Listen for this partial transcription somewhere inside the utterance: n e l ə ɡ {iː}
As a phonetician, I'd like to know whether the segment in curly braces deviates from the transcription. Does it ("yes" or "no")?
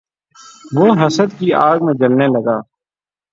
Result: yes